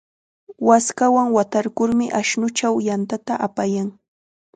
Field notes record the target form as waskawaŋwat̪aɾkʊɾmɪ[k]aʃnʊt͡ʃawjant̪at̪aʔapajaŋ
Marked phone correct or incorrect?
incorrect: ʔ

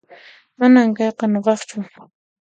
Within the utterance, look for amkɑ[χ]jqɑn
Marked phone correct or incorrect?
incorrect: none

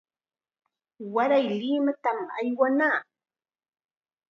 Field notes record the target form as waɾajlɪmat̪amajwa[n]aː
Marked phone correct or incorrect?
correct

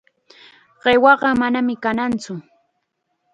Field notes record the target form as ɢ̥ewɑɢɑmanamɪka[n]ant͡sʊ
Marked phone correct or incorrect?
correct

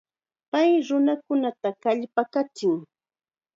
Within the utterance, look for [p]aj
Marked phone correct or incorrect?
correct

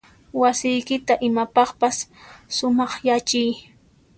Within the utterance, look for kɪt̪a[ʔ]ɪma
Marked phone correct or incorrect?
correct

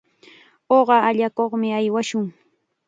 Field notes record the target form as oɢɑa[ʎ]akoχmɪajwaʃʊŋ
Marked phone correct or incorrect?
correct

